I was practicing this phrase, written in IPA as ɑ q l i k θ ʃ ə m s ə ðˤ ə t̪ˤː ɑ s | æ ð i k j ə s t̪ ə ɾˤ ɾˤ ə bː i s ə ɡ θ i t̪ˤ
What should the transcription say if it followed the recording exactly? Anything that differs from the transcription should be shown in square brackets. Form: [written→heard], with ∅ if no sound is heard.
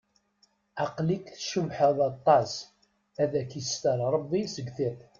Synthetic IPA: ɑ q l i k θ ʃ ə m [s→ħ] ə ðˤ [ə→ɑ] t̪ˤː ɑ s | æ ð [i→æ] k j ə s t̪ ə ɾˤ ɾˤ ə bː i s ə ɡ θ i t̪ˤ